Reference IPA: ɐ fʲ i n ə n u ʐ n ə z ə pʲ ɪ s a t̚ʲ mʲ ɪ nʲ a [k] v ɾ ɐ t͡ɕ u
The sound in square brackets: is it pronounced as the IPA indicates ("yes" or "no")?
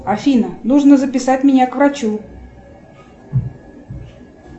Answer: yes